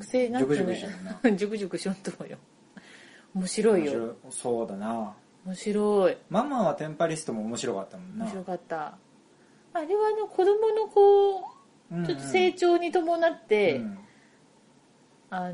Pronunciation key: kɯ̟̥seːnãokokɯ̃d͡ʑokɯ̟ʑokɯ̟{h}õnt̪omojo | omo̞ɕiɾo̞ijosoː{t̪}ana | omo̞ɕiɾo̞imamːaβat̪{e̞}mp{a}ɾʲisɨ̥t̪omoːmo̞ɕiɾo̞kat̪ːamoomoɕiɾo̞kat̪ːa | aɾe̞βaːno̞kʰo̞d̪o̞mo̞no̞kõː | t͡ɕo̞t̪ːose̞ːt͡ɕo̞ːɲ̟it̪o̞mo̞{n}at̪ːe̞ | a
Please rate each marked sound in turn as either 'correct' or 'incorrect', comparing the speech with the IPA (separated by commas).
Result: incorrect, incorrect, incorrect, correct, correct